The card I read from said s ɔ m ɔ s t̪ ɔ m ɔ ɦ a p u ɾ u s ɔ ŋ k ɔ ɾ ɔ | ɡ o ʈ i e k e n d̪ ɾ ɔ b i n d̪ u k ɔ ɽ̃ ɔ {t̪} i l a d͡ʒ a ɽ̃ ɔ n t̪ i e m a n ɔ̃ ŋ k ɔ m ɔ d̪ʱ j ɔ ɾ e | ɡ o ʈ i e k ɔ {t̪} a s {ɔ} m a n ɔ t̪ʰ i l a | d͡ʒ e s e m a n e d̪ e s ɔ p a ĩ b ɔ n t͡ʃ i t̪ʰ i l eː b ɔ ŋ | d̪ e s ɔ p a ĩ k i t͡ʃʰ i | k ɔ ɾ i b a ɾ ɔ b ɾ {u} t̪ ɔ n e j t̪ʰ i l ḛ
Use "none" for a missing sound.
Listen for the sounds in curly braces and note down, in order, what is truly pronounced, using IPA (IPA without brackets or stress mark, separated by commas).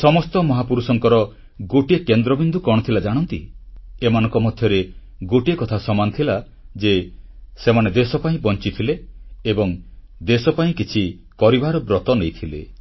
t̪ʰ, t̪ʰ, ɔ, ɔ